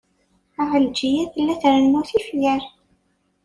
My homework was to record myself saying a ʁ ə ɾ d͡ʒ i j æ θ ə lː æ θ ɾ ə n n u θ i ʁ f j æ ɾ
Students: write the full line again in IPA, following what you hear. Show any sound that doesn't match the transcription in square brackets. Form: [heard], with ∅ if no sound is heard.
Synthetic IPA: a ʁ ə [l] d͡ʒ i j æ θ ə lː æ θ ɾ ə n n u θ i [∅] f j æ ɾ